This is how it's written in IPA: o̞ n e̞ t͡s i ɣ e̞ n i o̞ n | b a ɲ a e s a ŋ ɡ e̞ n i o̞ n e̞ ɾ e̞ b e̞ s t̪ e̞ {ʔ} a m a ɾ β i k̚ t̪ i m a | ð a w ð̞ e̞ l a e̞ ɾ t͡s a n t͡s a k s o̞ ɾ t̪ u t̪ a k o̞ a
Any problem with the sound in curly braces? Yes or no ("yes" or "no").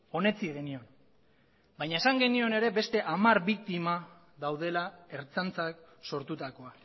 no